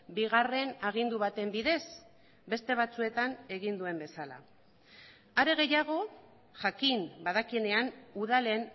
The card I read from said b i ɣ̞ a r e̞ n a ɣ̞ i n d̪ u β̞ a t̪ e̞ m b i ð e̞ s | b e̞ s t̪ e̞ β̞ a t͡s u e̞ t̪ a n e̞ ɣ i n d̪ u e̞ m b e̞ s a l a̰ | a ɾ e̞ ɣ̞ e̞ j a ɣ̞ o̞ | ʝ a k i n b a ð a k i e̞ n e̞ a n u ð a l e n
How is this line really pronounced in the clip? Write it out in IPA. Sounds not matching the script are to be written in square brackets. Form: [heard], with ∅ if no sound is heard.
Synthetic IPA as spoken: b i ɣ̞ a r e̞ n a ɣ̞ i n d̪ u β̞ a t̪ e̞ m b i ð e̞ s | b e̞ s t̪ e̞ β̞ a t͡s u e̞ t̪ a n e̞ ɣ i n d̪ u e̞ m b e̞ s a l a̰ | a ɾ e̞ ɣ̞ e̞ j a ɣ̞ o̞ | ʝ a k i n b a ð a k i e̞ n e̞ a n u ð a l e n

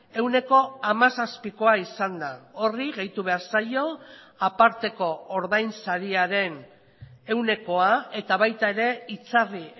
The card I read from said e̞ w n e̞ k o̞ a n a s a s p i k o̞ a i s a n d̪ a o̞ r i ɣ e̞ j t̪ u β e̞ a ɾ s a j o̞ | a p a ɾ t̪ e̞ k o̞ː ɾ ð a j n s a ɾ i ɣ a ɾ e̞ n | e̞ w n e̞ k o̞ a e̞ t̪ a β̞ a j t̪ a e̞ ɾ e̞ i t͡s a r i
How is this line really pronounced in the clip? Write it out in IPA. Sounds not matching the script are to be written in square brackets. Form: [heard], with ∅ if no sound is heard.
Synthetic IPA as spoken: e̞ w n e̞ k o̞ a [m] a s a s p i k o̞ a i s a n d̪ a o̞ r i ɣ e̞ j t̪ u β e̞ a ɾ s a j o̞ | a p a ɾ t̪ e̞ k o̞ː ɾ ð a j n s a ɾ i [∅] a ɾ e̞ n | e̞ w n e̞ k o̞ a e̞ t̪ a β̞ a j t̪ a e̞ ɾ e̞ i t͡s a r i

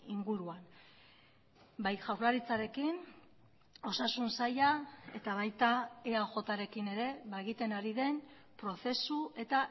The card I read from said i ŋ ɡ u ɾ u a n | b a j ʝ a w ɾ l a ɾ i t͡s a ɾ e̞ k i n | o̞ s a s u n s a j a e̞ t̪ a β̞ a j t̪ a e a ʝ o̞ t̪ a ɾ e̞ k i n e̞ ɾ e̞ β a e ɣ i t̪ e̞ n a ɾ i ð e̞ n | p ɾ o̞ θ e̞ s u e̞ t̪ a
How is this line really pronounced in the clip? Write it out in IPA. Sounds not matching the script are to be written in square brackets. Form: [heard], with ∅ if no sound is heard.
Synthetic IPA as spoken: i ŋ ɡ u ɾ u a n | b a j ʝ a w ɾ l a ɾ i t͡s a ɾ e̞ k i n | o̞ s a s u n s a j a e̞ t̪ a β̞ a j t̪ a e a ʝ o̞ t̪ a ɾ e̞ k i n e̞ ɾ e̞ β a e ɣ i t̪ e̞ n a ɾ i ð e̞ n | p ɾ o̞ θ e̞ s u e̞ t̪ a

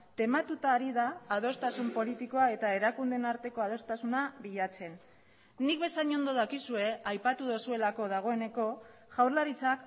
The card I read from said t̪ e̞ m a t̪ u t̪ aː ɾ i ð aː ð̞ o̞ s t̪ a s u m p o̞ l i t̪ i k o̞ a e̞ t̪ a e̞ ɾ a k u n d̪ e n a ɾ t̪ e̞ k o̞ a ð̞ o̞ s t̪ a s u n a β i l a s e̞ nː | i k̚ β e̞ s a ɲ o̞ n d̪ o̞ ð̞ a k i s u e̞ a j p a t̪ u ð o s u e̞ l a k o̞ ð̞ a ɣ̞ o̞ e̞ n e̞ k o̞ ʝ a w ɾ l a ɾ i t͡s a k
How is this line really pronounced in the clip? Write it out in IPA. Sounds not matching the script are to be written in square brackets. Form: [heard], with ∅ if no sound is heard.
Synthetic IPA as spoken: t̪ e̞ m a t̪ u t̪ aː ɾ i ð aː ð̞ o̞ s t̪ a s u m p o̞ l i t̪ i k o̞ a e̞ t̪ a e̞ ɾ a k u n d̪ e n a ɾ t̪ e̞ k o̞ a ð̞ o̞ s t̪ a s u n a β i [ʎ] a [t͡s] e̞ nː | i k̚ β e̞ s a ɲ o̞ n d̪ o̞ ð̞ a k i s u e̞ a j p a t̪ u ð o s u e̞ l a k o̞ ð̞ a ɣ̞ o̞ e̞ n e̞ k o̞ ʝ a w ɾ l a ɾ i t͡s a k

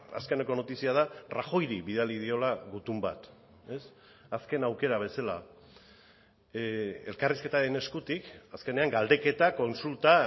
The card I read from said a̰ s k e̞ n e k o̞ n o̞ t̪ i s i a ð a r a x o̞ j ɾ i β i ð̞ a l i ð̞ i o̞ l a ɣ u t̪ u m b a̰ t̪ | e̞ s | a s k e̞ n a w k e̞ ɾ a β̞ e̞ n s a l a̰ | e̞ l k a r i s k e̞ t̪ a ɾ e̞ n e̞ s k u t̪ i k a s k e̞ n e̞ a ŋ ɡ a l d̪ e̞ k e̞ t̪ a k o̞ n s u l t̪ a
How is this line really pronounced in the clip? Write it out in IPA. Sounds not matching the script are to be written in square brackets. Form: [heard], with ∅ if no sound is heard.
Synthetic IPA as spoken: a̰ s k e̞ n e k o̞ n o̞ t̪ i s i a ð a r a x o̞ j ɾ i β i ð̞ a l i ð̞ i o̞ l a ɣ u t̪ u m b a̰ t̪ | e̞ s | a s k e̞ n a w k e̞ ɾ a β̞ e̞ [∅] s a l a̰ | e̞ l k a r i s k e̞ t̪ a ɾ e̞ n e̞ s k u t̪ i k a s k e̞ n e̞ a ŋ ɡ a l d̪ e̞ k e̞ t̪ a k o̞ n s u l t̪ a

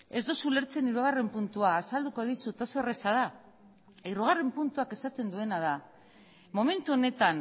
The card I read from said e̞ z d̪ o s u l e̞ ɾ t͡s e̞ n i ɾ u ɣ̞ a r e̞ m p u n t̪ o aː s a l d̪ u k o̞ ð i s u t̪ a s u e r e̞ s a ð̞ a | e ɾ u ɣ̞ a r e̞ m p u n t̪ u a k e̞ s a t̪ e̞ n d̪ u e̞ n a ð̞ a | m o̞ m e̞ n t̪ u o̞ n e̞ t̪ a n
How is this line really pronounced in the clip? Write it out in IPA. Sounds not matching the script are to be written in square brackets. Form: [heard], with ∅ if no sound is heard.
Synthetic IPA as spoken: e̞ z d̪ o s u l e̞ ɾ t͡s e̞ n i ɾ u ɣ̞ a r e̞ m p u n t̪ [u] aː s a l d̪ u k o̞ ð i s u t̪ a s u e r e̞ s a ð̞ a | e ɾ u ɣ̞ a r e̞ m p u n t̪ u a k e̞ s a t̪ e̞ n d̪ u e̞ n a ð̞ a | m o̞ m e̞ n t̪ u o̞ n e̞ t̪ a n

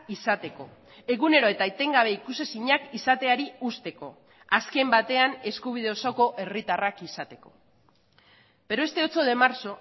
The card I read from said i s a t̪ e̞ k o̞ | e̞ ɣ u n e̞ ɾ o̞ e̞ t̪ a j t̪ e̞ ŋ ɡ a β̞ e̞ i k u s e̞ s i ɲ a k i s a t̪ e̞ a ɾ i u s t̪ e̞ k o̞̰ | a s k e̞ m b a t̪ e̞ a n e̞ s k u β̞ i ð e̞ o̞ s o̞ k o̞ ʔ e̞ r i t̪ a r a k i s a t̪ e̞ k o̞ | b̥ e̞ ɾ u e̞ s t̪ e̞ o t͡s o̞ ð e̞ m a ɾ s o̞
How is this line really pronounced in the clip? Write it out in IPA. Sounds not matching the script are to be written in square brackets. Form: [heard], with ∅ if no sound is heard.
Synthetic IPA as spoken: i s a t̪ e̞ k o̞ | e̞ ɣ u n e̞ ɾ o̞ e̞ t̪ a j t̪ e̞ ŋ ɡ a β̞ e̞ i k u s e̞ s i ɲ a k i s a t̪ e̞ a ɾ i u s t̪ e̞ k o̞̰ | a s k e̞ m b a t̪ e̞ a n e̞ s k u β̞ i ð e̞ o̞ s o̞ k o̞ ʔ e̞ r i t̪ a r a k i s a t̪ e̞ k o̞ | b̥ e̞ ɾ [o] e̞ s t̪ e̞ o t͡s o̞ ð e̞ m a ɾ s o̞

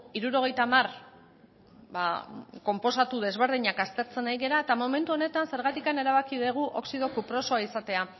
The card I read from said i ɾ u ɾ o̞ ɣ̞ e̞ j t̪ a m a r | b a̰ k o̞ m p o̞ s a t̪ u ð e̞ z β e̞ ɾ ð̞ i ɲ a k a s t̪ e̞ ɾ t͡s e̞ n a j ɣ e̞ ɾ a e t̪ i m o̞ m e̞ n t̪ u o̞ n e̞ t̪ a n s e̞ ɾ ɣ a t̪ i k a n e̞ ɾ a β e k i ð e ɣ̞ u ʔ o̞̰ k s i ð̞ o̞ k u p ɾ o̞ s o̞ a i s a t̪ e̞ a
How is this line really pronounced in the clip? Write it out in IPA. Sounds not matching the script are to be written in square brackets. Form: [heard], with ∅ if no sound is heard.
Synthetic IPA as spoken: i ɾ u ɾ o̞ ɣ̞ e̞ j t̪ a m a r | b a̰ k o̞ m p o̞ s a t̪ u ð e̞ z β e̞ ɾ ð̞ i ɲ a k a s t̪ e̞ ɾ t͡s e̞ n a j ɣ e̞ ɾ a e t̪ [a] m o̞ m e̞ n t̪ u o̞ n e̞ t̪ a n s e̞ ɾ ɣ a t̪ i k a n e̞ ɾ a β [a] k i ð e ɣ̞ u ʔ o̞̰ k s i ð̞ o̞ k u p ɾ o̞ s o̞ a i s a t̪ e̞ a

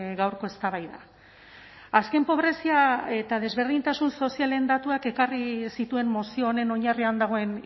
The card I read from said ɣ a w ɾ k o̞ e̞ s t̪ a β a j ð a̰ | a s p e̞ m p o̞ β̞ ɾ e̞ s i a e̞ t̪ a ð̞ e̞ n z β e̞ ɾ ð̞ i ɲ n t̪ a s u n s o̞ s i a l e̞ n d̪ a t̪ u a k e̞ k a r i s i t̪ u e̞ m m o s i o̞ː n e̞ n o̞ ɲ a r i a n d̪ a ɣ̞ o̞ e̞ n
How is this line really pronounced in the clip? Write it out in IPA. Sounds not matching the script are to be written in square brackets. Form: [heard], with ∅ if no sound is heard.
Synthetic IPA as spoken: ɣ a w ɾ k o̞ e̞ s t̪ a β a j ð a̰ | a s [k] e̞ m p o̞ β̞ ɾ e̞ s i a e̞ t̪ a ð̞ e̞ [∅] z β e̞ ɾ ð̞ i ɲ n t̪ a s u n s o̞ s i a l e̞ n d̪ a t̪ u a k e̞ k a r i s i t̪ u e̞ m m o s i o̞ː n e̞ n o̞ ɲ a r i a n d̪ a ɣ̞ o̞ e̞ n

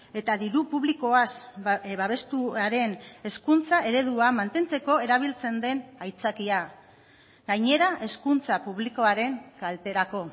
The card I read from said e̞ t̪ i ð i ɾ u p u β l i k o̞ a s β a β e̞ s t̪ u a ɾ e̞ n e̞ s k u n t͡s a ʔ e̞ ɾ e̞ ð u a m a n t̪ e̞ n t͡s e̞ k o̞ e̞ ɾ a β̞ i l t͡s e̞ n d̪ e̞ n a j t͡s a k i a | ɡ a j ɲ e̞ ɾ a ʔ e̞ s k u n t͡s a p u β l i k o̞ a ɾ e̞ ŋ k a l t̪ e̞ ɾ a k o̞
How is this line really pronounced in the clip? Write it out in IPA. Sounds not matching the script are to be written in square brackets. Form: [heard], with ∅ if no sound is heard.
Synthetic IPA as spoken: e̞ t̪ [a] ð i ɾ u p u β l i k o̞ a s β a β e̞ s t̪ u a ɾ e̞ n e̞ s k u n t͡s a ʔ e̞ ɾ e̞ ð u a m a n t̪ e̞ n t͡s e̞ k o̞ e̞ ɾ a β̞ i l t͡s e̞ n d̪ e̞ n a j t͡s a k i a | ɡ a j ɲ e̞ ɾ a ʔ e̞ s k u n t͡s a p u β l i k o̞ a ɾ e̞ ŋ k a l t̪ e̞ ɾ a k o̞

